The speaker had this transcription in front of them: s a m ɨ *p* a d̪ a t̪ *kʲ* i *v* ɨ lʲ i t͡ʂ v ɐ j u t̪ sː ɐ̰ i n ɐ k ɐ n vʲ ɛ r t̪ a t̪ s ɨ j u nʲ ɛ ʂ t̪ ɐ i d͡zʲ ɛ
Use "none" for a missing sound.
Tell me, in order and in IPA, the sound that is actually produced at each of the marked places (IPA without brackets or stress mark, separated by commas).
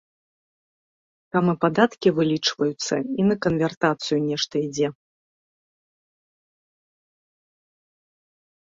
p, kʲ, v